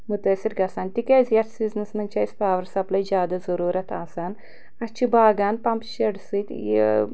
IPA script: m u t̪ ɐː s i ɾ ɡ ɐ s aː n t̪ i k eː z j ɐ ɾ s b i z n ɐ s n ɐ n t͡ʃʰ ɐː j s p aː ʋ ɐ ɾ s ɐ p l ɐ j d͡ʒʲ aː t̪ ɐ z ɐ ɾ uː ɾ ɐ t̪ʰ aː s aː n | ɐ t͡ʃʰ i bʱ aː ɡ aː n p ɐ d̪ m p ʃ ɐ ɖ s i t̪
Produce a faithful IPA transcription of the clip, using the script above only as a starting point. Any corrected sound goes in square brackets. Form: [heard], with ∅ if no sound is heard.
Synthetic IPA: m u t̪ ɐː s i ɾ ɡ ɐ s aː n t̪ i k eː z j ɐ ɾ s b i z n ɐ s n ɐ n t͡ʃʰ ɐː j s p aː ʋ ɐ ɾ s ɐ p l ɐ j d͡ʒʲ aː [d̪] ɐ z ɐ ɾ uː ɾ ɐ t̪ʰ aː s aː n | ɐ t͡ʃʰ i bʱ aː ɡ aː n p ɐ [∅] m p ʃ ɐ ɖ s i t̪